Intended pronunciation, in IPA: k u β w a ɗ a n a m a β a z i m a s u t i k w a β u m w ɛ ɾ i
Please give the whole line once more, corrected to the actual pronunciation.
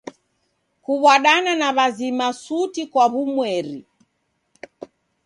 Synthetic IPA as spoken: k u β w a ɗ a n a n a β a z i m a s u t i k w a β u m w ɛ ɾ i